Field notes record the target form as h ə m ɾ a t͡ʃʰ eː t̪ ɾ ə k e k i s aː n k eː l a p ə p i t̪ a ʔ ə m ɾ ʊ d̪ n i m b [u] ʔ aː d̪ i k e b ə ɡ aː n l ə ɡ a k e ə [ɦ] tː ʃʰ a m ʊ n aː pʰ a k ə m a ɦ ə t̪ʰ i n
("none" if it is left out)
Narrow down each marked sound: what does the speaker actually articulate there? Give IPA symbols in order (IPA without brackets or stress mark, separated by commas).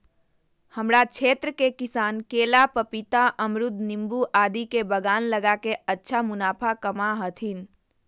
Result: u, none